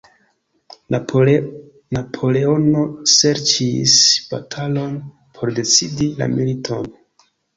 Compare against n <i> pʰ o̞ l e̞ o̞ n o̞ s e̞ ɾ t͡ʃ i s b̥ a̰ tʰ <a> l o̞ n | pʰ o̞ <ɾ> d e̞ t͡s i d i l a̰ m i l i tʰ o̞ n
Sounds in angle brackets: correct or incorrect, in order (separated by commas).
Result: incorrect, correct, correct